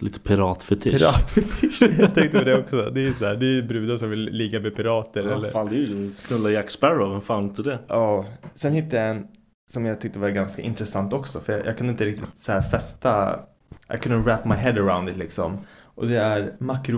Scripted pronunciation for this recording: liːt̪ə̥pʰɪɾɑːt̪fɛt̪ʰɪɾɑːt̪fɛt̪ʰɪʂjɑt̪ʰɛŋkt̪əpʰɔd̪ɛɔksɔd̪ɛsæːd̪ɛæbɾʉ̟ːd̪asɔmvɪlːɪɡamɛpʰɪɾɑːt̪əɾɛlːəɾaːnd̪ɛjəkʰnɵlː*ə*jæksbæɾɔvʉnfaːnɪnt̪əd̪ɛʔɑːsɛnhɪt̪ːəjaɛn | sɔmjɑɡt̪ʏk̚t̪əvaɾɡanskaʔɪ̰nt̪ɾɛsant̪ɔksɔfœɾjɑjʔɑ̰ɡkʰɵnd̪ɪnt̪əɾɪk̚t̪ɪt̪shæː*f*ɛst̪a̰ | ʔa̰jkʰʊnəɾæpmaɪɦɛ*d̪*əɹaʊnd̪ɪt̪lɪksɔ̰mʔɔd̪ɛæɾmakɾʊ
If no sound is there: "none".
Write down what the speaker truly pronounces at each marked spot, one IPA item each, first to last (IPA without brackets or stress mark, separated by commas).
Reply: a, f, d̪